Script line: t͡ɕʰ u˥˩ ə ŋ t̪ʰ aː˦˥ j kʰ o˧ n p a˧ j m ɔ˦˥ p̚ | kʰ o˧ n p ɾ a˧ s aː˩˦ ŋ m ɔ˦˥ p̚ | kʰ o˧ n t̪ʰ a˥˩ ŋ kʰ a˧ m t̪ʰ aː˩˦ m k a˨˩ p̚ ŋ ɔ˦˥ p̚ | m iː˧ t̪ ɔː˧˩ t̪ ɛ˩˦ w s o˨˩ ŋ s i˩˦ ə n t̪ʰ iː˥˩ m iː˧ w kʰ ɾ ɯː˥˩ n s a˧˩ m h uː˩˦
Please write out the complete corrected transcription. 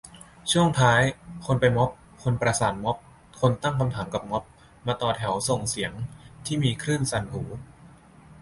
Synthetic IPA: t͡ɕʰ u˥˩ ə ŋ t̪ʰ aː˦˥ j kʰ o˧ n p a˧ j m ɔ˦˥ p̚ | kʰ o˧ n p ɾ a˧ s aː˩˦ n m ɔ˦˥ p̚ | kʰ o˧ n t̪ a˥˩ ŋ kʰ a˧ m t̪ʰ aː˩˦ m k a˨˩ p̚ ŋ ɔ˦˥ p̚ | m aː˧ t̪ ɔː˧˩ t̪ʰ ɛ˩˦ w s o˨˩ ŋ s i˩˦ ə ŋ t̪ʰ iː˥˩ m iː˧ kʰ ɾ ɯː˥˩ n s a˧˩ n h uː˩˦